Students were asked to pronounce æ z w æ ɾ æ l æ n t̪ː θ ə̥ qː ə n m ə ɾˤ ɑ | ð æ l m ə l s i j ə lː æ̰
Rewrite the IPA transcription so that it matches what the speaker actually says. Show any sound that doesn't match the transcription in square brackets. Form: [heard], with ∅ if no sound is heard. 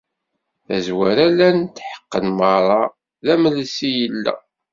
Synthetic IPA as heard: æ z w æ ɾ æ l æ n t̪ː [ħ] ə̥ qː ə n m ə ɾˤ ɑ | ð æ [∅] m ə l s i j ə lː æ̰